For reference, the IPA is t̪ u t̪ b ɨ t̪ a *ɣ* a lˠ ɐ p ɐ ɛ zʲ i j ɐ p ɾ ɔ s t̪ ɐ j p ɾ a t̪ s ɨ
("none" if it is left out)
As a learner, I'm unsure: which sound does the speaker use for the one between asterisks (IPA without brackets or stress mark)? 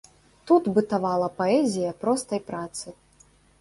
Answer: v